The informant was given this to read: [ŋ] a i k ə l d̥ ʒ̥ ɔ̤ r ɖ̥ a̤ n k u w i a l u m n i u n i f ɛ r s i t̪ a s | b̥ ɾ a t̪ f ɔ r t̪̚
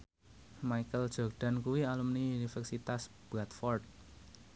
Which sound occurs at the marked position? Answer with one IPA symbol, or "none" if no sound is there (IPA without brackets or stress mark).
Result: m